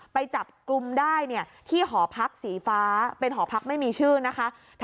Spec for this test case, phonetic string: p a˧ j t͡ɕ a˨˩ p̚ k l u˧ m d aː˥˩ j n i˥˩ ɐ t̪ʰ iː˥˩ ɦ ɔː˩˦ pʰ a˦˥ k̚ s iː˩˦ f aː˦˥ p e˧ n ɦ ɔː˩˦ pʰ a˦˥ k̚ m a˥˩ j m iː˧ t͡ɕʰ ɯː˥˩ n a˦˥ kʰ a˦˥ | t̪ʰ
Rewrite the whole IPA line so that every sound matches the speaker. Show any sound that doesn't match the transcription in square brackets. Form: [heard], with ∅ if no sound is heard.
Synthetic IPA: p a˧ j t͡ɕ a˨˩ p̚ k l u˧ m d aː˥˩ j n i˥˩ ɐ t̪ʰ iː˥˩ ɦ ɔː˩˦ pʰ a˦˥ k̚ s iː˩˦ f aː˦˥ p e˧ n ɦ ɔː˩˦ pʰ a˦˥ k̚ m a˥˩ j m iː˧ t͡ɕʰ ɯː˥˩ n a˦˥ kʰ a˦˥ | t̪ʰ